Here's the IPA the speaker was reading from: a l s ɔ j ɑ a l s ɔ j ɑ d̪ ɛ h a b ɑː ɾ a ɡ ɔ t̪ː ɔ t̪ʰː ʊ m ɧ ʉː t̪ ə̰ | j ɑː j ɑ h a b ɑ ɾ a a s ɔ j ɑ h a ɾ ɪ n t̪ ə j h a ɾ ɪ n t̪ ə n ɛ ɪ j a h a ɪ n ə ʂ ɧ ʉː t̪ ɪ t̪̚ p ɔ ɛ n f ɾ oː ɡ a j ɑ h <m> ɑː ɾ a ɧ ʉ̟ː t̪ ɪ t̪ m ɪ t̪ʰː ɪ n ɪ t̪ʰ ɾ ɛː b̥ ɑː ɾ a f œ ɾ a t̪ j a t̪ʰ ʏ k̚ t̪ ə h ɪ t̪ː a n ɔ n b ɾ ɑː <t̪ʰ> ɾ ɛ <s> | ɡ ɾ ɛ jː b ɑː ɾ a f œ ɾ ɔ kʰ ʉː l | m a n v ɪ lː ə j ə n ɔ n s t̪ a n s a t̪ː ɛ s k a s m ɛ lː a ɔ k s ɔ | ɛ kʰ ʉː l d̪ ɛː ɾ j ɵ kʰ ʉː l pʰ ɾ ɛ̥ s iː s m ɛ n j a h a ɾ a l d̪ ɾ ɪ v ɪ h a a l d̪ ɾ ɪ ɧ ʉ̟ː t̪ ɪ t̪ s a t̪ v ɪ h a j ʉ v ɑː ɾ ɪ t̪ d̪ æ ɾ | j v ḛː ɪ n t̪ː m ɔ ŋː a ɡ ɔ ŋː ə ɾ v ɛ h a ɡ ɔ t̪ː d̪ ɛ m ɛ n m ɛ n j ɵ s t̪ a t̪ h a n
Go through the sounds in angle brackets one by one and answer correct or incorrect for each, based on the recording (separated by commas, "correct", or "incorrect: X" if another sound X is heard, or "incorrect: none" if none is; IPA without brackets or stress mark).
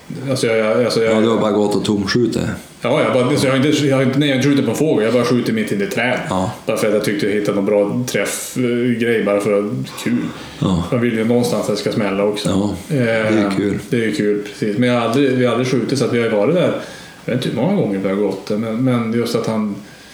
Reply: incorrect: b, correct, incorrect: f